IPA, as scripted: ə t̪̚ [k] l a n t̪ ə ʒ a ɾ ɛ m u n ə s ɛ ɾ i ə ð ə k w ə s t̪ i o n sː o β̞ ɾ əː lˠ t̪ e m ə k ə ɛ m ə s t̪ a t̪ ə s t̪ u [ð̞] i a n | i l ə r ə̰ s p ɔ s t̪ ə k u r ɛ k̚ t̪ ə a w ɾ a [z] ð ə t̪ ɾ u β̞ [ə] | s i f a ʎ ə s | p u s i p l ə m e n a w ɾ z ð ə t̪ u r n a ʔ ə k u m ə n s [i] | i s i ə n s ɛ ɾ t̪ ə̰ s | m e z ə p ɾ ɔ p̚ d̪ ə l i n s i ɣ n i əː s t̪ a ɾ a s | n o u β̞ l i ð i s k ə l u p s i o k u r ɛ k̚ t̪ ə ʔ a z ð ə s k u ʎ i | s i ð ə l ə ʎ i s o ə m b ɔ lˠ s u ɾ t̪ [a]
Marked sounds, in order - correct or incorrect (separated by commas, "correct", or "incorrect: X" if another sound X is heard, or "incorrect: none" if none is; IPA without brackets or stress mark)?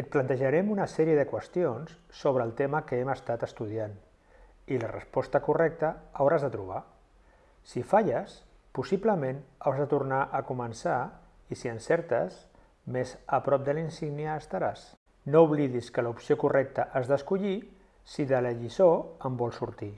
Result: incorrect: p, correct, correct, incorrect: a, incorrect: a, incorrect: i